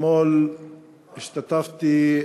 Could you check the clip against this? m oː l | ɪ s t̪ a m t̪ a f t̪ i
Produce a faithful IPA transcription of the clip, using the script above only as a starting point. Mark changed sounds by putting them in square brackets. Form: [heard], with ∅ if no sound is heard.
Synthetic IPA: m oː l | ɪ [ʃ] t̪ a [∅] t̪ a f t̪ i